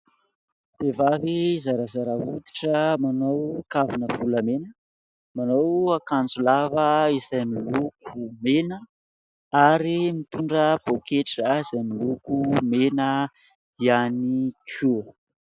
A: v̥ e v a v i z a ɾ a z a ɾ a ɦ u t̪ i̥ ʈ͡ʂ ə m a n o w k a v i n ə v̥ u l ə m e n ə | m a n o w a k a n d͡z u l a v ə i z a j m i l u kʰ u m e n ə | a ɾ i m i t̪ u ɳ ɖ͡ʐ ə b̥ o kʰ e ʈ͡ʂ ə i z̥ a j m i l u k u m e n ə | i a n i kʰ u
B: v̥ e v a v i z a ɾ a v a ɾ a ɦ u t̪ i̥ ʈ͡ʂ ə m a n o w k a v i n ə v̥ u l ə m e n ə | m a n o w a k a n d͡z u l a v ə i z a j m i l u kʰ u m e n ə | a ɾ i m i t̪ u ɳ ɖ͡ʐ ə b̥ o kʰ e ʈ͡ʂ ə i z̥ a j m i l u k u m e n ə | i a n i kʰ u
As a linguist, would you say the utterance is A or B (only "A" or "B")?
A